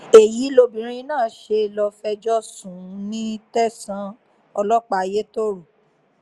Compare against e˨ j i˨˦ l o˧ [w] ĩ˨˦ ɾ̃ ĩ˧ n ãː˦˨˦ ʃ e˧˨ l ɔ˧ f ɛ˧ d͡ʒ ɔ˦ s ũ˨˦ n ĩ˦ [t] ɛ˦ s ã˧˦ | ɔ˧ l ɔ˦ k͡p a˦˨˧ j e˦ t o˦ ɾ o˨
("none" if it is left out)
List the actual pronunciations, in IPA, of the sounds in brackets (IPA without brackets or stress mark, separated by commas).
b, t